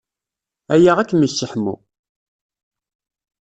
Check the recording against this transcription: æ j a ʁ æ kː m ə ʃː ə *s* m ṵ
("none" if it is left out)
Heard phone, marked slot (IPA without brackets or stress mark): ħ